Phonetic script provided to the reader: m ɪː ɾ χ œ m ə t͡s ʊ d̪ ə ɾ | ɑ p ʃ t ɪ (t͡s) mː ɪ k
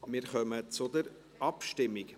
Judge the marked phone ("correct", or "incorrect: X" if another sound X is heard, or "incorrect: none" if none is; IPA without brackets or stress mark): incorrect: none